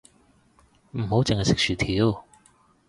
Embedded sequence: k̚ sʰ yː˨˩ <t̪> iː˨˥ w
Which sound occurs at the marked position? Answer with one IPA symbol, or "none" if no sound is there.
t̪ʰ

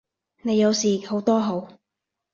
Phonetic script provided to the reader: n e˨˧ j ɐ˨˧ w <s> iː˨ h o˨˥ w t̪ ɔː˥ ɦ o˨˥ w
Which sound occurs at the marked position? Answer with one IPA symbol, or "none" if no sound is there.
s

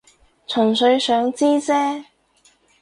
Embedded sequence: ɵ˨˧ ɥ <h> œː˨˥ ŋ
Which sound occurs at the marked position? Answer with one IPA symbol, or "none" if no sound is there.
s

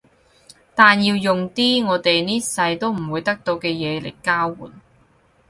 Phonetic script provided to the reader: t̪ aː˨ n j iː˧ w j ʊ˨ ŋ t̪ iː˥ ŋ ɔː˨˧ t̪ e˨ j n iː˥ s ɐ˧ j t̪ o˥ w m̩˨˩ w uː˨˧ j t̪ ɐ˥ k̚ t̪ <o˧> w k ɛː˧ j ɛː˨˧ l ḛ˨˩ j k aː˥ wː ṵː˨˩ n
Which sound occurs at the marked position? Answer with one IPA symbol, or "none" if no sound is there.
o˧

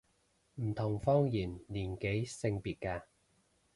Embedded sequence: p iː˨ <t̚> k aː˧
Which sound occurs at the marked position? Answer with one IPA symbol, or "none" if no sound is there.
t̚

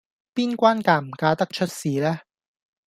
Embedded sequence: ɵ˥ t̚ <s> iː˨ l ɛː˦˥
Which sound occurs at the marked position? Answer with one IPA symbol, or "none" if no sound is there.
s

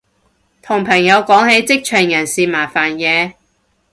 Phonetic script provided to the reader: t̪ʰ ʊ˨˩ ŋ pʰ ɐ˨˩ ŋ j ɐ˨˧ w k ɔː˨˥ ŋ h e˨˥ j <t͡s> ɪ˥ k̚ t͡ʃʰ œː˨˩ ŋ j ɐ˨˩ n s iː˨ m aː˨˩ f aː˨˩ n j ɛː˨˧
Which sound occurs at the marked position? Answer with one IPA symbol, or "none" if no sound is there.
t͡s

